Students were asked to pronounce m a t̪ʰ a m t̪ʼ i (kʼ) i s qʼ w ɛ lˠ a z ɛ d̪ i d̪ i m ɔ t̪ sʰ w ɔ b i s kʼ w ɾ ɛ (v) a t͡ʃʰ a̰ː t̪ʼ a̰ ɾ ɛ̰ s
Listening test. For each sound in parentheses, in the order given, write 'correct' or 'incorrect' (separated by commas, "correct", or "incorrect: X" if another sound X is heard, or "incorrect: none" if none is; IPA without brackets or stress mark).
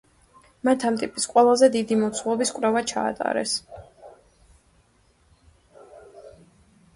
incorrect: pʼ, correct